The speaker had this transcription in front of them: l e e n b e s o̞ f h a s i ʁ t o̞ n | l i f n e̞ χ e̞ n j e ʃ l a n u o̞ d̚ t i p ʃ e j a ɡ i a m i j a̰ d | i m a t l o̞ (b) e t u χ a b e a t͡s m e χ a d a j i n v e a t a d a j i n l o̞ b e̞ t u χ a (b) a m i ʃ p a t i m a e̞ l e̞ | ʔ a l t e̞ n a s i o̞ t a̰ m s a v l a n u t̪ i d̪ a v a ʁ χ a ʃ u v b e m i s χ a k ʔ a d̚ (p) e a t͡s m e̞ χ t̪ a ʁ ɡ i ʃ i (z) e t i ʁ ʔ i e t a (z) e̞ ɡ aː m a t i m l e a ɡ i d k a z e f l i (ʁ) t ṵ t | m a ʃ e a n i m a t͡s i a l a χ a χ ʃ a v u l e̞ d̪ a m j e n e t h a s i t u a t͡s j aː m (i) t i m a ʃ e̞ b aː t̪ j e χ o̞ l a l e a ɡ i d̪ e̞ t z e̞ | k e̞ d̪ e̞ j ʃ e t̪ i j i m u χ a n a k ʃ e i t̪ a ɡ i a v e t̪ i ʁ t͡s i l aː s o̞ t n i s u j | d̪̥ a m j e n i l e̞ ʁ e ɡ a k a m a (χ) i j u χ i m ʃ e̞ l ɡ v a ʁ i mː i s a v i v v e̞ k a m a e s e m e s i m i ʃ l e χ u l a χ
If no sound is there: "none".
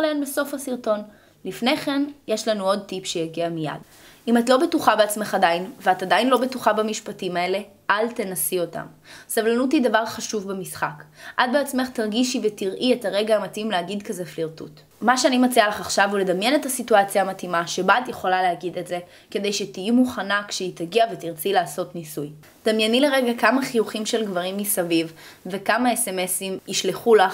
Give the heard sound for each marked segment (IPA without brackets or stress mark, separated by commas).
b, b, b, v, ʁ, ʁ, a, χ